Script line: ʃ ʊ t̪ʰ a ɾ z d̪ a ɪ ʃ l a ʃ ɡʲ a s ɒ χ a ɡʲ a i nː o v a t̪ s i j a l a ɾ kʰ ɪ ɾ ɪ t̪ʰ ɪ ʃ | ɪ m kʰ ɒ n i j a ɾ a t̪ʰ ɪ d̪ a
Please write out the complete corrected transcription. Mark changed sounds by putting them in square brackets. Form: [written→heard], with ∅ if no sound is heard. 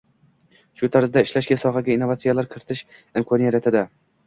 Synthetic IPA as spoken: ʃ ʊ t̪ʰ a ɾ z d̪ a ɪ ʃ l a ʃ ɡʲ a s ɒ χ a ɡʲ a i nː o v a t̪ s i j a l a ɾ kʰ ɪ ɾ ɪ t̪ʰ ɪ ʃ | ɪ m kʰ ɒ n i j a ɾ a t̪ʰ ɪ d̪ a

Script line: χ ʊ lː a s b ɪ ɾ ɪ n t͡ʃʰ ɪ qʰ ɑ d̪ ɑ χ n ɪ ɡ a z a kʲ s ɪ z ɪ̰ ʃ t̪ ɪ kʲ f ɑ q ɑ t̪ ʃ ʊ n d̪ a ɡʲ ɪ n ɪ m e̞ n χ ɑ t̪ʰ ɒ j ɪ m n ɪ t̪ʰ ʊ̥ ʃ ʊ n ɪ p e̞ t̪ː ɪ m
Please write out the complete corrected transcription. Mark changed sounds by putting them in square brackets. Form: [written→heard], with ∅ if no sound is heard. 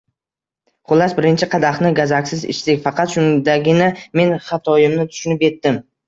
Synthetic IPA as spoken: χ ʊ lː a s b ɪ ɾ ɪ n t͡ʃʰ ɪ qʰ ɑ d̪ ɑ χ n ɪ ɡ a z a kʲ s ɪ z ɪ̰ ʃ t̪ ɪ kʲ f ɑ q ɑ t̪ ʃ ʊ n d̪ a ɡʲ ɪ n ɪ m e̞ n χ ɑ t̪ʰ ɒ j ɪ m n ɪ t̪ʰ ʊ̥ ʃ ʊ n ɪ p e̞ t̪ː ɪ m

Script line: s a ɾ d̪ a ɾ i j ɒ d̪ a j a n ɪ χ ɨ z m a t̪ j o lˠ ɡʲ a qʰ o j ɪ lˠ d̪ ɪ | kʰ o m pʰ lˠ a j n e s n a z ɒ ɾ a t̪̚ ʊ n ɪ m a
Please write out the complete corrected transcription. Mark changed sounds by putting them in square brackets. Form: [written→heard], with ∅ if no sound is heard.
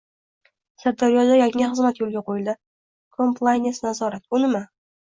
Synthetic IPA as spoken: s a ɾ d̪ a ɾ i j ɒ d̪ a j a [n→ŋ] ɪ χ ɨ z m a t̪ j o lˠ ɡʲ a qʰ o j ɪ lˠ d̪ ɪ | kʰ o m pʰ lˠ a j n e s n a z ɒ ɾ a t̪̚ ʊ n ɪ m a

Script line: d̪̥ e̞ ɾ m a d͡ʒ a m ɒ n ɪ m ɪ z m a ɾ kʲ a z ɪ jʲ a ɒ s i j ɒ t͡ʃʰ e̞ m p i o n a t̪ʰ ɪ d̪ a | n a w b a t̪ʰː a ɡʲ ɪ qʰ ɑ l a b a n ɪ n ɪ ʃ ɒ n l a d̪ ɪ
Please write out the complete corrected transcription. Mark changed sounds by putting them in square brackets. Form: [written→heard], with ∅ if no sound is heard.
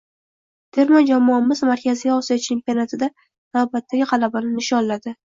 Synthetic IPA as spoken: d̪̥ e̞ ɾ m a d͡ʒ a m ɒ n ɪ m ɪ z m a ɾ kʲ a z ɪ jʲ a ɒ s i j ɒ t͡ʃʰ e̞ m p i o n a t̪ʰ ɪ d̪ a | n a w b a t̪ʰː a ɡʲ ɪ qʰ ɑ l a b a n ɪ n ɪ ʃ ɒ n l a d̪ ɪ

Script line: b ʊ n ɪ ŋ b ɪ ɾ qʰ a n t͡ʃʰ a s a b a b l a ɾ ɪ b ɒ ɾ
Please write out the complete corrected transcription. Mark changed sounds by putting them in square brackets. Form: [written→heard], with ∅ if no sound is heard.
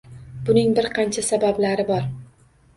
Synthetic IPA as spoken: b ʊ n ɪ ŋ b ɪ ɾ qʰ [a→ɑ] n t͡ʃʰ a s a b a b l a ɾ ɪ b ɒ ɾ

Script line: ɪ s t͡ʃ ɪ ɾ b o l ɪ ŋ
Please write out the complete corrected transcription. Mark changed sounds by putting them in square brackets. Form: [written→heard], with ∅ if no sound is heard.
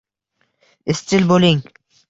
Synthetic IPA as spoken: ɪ s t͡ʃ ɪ [ɾ→l] b o l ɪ ŋ

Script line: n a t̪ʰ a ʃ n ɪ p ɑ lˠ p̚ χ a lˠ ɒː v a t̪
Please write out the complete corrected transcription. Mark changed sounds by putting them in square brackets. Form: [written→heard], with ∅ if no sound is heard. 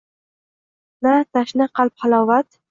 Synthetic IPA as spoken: n a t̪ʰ a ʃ n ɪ [p→q] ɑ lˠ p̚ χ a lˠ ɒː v a t̪

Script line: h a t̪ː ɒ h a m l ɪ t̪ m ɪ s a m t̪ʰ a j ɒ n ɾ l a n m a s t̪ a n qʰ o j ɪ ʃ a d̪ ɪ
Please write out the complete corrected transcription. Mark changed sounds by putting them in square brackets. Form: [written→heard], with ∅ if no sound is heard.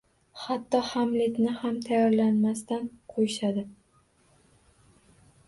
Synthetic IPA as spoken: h a t̪ː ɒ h a m l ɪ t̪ [m→n] ɪ [s→h] a m t̪ʰ a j ɒ [n→∅] ɾ l a n m a s t̪ a n qʰ o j ɪ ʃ a d̪ ɪ

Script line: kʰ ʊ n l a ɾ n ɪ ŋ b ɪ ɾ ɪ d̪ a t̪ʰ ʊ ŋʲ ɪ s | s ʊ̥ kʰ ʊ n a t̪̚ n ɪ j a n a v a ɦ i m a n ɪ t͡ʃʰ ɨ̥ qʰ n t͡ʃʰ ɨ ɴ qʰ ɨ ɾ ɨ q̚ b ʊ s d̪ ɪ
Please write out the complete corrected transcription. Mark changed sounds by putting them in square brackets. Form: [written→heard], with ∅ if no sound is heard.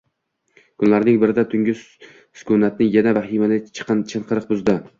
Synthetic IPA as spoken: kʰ ʊ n l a ɾ n ɪ ŋ b ɪ ɾ ɪ d̪ a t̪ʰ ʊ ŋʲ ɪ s | s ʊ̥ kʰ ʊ n a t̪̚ n ɪ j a n a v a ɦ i m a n ɪ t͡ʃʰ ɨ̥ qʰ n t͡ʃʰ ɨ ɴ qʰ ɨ ɾ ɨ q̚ b ʊ [s→z] d̪ ɪ

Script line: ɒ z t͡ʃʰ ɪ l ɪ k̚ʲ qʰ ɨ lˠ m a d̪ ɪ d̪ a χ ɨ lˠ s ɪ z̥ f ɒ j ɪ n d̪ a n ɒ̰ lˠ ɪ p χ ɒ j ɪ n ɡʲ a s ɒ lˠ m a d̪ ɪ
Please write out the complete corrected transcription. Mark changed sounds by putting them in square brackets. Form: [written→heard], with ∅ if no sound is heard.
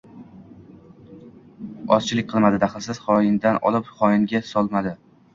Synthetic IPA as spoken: ɒ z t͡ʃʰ ɪ l ɪ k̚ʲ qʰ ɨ lˠ m a d̪ ɪ d̪ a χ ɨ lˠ s ɪ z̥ [f→χ] ɒ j ɪ n d̪ a n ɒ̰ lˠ ɪ p χ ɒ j ɪ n ɡʲ a s ɒ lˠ m a d̪ ɪ

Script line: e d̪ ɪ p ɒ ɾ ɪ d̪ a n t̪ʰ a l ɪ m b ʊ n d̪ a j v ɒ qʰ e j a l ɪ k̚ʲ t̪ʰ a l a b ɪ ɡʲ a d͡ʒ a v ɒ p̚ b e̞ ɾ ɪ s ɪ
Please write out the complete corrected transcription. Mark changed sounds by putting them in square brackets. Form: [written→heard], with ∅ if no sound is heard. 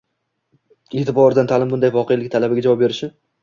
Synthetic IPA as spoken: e [d̪→t̪] ɪ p ɒ ɾ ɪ d̪ a n t̪ʰ a l ɪ m b ʊ n d̪ a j v ɒ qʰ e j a l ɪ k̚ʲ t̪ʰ a l a b ɪ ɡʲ a d͡ʒ a v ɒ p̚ b e̞ ɾ ɪ [s→ʃ] ɪ

